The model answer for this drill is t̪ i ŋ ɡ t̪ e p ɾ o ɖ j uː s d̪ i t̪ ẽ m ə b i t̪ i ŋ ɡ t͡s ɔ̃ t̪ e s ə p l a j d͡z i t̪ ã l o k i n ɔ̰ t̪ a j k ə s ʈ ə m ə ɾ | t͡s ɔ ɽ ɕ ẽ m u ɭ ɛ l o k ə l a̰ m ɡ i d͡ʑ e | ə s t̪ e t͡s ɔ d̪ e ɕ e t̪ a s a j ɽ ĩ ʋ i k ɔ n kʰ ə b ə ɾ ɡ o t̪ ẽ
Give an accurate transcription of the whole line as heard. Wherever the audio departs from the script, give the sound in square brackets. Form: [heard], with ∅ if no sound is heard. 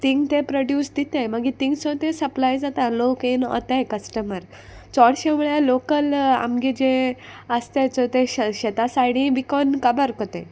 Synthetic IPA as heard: t̪ i ŋ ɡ t̪ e p ɾ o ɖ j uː s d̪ i t̪ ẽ m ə [ɡ] i t̪ i ŋ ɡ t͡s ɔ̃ t̪ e s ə p l a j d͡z [a] t̪ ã l o k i n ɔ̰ t̪ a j k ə s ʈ ə m ə ɾ | t͡s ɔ ɽ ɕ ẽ m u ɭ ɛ l o k ə l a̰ m ɡ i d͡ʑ e | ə s t̪ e t͡s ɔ [t̪] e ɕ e t̪ a s a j ɽ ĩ ʋ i k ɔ n [k] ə b ə ɾ [k] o t̪ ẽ